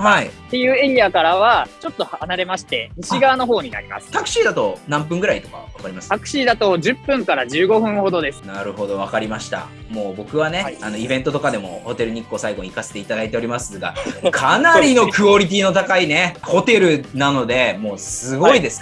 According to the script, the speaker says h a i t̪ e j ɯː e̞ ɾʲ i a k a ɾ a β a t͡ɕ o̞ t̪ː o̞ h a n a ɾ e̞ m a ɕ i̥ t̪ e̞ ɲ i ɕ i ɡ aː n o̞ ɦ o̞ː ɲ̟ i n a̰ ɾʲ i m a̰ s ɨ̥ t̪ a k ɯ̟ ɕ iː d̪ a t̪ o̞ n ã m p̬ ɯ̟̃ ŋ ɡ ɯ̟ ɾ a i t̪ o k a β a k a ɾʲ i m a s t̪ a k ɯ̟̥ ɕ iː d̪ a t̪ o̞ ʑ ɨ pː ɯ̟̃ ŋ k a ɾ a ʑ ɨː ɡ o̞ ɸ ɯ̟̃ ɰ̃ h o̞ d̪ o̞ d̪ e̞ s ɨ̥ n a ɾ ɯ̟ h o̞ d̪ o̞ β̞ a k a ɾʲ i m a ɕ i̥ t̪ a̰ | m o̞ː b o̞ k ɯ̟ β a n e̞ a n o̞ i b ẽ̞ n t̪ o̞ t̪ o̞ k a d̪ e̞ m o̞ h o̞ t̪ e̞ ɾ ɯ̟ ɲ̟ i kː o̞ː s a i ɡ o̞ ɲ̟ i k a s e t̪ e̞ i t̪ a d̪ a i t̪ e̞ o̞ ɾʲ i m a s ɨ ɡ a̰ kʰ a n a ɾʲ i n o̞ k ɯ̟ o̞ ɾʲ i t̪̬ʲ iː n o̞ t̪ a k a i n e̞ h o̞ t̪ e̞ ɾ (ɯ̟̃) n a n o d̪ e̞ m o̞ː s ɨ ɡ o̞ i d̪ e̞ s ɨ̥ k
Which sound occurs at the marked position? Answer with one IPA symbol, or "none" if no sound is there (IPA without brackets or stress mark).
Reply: ɯ̟